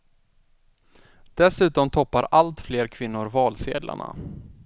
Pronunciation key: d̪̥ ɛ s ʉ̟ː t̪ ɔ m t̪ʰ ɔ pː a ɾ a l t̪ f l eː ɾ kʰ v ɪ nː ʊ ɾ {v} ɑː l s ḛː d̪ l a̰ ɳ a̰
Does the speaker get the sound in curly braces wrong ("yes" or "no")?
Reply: no